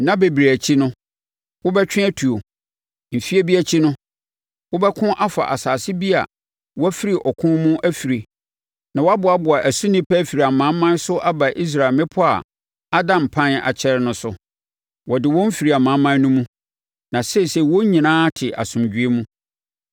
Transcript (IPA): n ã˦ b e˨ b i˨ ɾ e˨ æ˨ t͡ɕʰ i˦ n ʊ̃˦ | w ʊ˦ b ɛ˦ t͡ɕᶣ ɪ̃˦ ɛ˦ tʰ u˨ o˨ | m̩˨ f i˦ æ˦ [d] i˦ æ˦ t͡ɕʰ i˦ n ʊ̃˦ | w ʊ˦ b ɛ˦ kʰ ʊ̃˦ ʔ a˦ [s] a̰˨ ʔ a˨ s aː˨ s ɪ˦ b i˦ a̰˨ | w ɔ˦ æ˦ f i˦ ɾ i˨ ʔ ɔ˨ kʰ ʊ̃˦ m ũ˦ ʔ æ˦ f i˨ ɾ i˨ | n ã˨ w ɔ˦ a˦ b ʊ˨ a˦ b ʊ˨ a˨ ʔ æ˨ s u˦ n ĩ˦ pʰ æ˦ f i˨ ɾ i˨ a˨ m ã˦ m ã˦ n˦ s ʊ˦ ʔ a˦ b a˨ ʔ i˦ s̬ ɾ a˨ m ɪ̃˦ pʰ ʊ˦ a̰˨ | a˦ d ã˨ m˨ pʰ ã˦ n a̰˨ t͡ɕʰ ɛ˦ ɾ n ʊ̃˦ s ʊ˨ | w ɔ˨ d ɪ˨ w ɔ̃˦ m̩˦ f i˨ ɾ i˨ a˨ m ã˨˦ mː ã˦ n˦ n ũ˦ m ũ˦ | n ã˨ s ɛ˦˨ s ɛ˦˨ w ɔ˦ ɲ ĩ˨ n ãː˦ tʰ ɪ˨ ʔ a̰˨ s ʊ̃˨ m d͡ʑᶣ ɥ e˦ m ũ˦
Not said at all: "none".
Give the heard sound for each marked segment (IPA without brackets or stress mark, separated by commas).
b, f